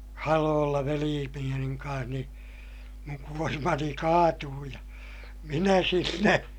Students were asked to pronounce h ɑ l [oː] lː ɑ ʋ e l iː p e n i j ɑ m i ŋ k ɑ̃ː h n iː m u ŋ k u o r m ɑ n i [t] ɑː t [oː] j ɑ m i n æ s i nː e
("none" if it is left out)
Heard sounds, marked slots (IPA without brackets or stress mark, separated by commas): oː, k, uː